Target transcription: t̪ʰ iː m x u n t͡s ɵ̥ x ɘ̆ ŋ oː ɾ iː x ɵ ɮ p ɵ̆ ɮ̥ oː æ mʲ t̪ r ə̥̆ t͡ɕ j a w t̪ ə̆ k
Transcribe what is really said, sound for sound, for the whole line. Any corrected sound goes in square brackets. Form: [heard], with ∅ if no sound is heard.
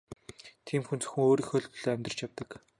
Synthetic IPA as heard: t̪ʰ iː m x u n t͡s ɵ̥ x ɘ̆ ŋ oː ɾ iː x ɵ ɮ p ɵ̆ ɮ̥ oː æ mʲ t̪ r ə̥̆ t͡ɕ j a w t̪ ə̆ k